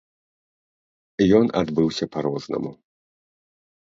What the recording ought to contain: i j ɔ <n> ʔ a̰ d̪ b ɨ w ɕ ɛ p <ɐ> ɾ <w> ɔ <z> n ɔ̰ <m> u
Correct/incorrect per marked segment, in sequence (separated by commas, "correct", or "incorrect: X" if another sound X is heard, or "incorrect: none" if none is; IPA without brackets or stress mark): correct, incorrect: a, correct, correct, correct